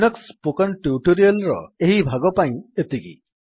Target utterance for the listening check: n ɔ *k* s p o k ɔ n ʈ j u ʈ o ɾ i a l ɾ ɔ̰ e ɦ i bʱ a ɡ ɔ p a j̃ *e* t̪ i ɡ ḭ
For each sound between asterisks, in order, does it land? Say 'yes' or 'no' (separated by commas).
yes, yes